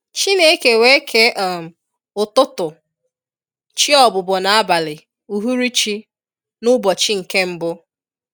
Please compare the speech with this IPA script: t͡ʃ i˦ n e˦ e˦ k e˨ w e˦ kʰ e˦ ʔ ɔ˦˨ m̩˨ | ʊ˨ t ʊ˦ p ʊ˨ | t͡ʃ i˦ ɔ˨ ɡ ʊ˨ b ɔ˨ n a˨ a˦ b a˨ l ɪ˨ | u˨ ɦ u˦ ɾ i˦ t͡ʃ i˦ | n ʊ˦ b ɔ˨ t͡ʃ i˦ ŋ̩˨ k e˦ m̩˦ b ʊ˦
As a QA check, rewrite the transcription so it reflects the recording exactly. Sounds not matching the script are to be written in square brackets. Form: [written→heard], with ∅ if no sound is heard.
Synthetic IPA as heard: t͡ʃ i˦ n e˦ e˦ k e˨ w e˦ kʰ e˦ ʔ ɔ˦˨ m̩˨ | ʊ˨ t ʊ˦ [p→t] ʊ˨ | t͡ʃ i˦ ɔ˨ [ɡ→b] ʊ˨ b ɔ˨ n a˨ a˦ b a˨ l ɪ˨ | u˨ ɦ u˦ ɾ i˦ t͡ʃ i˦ | n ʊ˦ b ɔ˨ t͡ʃ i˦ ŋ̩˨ k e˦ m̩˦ b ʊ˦